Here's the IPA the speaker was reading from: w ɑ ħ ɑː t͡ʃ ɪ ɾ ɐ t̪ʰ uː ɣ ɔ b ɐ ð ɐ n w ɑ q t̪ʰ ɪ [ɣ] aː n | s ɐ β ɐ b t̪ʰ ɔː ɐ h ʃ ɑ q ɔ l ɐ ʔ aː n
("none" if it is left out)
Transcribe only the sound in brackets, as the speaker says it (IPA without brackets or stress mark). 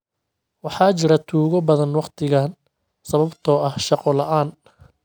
ɣ